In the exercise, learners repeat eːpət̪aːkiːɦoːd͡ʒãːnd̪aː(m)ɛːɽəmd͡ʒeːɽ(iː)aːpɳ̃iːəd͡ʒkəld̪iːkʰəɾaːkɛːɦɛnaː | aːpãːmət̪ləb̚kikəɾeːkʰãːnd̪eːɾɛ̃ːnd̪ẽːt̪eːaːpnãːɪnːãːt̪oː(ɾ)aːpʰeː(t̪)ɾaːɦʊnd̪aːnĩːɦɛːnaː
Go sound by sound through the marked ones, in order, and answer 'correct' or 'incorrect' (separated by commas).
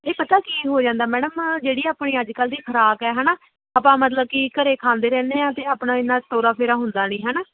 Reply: correct, correct, correct, incorrect